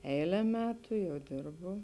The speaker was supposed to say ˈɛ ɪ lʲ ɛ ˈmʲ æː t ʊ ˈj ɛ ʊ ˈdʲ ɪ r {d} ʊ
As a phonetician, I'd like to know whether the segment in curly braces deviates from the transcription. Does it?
yes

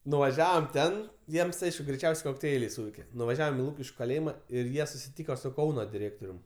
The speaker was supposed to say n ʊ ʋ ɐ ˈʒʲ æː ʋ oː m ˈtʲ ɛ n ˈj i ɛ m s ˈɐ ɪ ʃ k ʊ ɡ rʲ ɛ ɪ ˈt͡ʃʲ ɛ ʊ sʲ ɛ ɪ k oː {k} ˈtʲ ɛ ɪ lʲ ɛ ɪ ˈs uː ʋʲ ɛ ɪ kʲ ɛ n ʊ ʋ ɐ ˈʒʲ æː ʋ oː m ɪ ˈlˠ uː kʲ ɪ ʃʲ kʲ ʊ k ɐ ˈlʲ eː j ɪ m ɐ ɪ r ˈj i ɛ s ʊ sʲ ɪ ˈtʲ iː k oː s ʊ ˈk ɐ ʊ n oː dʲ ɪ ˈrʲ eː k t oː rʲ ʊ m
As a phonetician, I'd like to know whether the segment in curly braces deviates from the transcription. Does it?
no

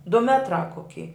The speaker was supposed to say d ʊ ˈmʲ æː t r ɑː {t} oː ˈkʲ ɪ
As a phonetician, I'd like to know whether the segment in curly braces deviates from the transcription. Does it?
yes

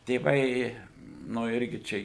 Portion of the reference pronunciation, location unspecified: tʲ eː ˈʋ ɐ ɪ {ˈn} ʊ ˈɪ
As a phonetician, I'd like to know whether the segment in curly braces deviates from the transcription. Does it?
no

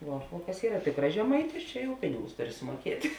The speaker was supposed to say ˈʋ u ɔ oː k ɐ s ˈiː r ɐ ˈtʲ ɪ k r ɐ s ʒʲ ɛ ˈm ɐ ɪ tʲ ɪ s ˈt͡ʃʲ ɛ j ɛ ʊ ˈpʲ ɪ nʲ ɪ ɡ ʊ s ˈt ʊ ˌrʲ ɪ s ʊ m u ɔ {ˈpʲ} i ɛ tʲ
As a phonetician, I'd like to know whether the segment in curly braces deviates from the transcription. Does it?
yes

